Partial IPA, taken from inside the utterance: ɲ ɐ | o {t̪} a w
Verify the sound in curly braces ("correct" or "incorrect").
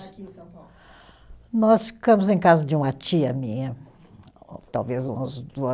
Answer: correct